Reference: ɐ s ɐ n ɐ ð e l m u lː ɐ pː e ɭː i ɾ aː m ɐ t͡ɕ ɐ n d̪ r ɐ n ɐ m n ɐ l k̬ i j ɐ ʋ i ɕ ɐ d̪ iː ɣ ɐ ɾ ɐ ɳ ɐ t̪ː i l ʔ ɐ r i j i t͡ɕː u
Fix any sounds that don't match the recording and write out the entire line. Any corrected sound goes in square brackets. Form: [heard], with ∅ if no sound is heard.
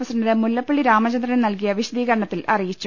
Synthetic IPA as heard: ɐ s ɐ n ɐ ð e [∅] m u lː ɐ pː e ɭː i ɾ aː m ɐ t͡ɕ ɐ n d̪ r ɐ n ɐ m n ɐ l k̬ i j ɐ ʋ i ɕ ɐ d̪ iː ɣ ɐ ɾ ɐ ɳ ɐ t̪ː i l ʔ ɐ r i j i t͡ɕː u